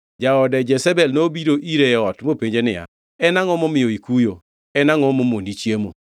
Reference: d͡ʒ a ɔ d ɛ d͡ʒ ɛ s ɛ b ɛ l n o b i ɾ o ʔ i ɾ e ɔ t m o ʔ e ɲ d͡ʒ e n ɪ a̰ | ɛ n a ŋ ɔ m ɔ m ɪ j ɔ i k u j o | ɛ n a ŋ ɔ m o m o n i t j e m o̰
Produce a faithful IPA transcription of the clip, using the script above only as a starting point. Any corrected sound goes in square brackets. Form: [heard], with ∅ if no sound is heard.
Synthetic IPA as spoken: d͡ʒ a ɔ d ɛ d͡ʒ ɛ s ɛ b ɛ l n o b i ɾ o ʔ i ɾ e ɔ t m o [p] e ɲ d͡ʒ e n ɪ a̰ | ɛ n a ŋ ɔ m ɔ m ɪ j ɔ i k u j o | ɛ n a ŋ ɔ m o m o n i [t͡ʃ] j e m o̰